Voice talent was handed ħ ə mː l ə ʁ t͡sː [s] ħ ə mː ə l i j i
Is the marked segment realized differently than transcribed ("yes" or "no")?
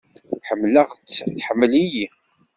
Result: yes